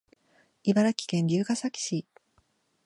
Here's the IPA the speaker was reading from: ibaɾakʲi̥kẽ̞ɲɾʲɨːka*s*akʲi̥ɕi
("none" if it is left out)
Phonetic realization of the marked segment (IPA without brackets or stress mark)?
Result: s